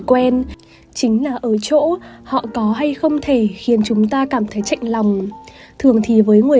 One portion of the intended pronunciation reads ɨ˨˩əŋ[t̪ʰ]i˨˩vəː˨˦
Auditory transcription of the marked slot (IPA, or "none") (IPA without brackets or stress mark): t̪ʰ